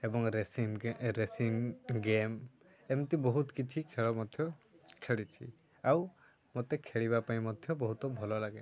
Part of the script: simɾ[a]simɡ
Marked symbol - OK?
no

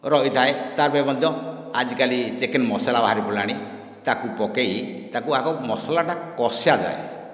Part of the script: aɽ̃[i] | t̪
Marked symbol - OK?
yes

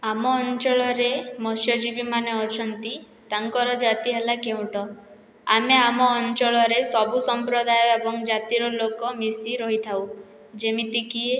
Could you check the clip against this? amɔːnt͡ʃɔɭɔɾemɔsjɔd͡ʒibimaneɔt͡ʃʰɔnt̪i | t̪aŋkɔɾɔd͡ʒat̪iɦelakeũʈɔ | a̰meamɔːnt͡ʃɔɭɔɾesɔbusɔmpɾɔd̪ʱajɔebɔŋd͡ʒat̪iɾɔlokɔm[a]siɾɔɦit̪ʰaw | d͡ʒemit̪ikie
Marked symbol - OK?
no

